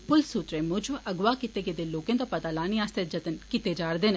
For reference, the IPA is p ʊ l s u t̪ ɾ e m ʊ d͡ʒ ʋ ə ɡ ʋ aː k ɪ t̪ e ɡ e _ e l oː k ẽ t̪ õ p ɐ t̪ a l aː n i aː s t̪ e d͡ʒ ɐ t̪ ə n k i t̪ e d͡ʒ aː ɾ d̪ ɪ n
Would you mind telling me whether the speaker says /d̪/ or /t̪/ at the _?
d̪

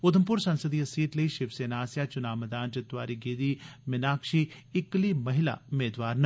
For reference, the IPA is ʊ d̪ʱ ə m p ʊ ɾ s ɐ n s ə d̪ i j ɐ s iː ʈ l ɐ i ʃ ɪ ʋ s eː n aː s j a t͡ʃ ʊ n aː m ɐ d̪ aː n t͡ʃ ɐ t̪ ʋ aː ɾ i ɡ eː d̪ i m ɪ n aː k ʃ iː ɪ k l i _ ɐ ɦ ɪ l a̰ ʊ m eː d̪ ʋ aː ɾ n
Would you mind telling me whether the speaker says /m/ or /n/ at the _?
m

